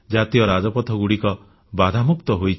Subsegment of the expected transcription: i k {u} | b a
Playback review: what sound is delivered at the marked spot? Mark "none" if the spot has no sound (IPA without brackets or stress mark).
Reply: ɔ